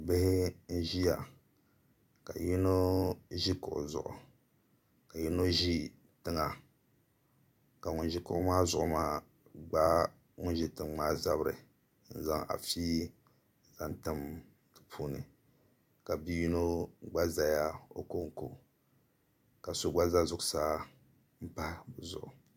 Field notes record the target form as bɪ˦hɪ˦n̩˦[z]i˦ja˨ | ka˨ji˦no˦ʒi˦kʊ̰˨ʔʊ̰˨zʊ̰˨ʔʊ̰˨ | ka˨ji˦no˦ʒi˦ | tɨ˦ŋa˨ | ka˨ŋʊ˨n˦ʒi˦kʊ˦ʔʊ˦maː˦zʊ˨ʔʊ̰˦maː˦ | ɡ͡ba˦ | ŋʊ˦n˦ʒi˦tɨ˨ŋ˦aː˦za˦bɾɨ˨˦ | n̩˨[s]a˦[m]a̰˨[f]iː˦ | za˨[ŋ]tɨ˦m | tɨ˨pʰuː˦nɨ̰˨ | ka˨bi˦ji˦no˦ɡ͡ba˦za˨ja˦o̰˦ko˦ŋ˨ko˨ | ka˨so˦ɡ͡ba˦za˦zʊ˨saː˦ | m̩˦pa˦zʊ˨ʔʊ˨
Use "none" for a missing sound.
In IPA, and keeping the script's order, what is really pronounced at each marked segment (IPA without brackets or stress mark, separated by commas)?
ʒ, z, ŋ, f, n